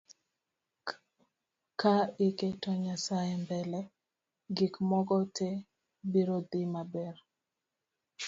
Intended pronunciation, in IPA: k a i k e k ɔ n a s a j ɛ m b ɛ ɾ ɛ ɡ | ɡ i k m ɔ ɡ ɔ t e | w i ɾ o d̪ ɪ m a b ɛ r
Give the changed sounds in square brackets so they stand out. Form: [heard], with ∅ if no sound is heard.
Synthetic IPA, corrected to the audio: k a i k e [t] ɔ [ɲ] a s a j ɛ m b ɛ [l] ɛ [∅] | ɡ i k m ɔ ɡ ɔ t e | [b] i ɾ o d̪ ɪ m a b ɛ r